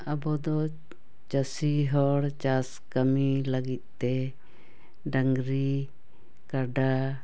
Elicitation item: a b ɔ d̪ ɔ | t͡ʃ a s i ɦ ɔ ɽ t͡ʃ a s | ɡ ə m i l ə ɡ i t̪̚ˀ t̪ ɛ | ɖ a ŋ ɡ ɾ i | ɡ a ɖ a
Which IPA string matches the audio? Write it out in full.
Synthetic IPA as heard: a b ɔ d̪ ɔ | t͡ʃ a s i ɦ ɔ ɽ t͡ʃ a s | k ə m i l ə ɡ i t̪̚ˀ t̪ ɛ | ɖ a ŋ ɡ ɾ i | k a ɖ a